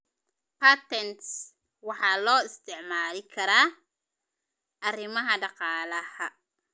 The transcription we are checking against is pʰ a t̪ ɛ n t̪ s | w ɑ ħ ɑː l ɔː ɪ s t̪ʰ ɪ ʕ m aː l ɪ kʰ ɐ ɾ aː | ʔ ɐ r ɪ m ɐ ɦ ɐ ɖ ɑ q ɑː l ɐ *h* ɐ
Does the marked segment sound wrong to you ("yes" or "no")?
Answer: no